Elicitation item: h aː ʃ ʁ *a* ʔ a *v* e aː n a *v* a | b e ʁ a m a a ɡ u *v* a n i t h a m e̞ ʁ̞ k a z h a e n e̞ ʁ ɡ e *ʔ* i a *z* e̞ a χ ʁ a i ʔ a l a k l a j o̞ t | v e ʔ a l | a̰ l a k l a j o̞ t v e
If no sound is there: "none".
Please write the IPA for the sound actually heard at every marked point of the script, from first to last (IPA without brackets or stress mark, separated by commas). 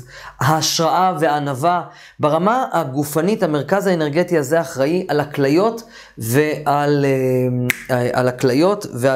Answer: a, v, v, f, t, z